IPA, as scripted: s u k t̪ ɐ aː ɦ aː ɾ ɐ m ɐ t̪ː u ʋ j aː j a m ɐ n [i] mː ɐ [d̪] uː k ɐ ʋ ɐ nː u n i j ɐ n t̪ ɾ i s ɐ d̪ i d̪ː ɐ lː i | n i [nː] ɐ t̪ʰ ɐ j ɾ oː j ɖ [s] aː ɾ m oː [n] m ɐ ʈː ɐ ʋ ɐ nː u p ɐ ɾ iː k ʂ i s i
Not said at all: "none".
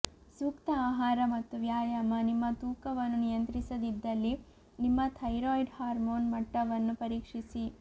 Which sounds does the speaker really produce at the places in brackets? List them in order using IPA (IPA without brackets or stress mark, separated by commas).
i, t̪, mː, h, n